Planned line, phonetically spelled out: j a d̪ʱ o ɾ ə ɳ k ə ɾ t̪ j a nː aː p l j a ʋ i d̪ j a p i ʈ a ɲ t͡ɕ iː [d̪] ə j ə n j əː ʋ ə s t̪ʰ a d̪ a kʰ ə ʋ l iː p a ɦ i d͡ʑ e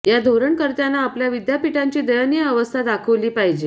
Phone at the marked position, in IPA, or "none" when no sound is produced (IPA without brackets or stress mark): d̪